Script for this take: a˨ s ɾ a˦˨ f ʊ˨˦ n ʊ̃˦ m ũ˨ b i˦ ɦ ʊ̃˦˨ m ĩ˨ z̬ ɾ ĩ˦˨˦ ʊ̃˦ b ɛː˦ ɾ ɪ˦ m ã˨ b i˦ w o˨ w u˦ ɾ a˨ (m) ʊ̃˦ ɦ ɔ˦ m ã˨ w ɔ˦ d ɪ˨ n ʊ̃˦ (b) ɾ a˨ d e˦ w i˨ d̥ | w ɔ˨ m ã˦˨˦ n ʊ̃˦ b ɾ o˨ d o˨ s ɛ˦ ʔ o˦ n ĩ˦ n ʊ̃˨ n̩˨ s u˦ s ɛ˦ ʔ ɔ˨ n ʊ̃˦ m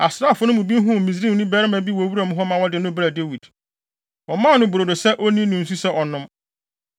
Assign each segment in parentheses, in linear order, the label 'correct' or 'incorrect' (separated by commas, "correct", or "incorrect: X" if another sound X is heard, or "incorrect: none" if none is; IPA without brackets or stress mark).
correct, correct